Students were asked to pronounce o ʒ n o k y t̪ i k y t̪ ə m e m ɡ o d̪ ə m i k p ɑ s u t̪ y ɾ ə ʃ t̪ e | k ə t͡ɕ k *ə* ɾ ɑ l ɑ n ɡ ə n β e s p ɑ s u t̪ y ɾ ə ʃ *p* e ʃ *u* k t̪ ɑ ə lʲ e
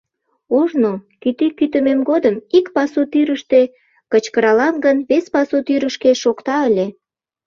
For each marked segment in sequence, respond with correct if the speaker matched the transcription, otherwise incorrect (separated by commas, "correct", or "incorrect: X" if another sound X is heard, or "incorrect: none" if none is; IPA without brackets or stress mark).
correct, incorrect: k, incorrect: o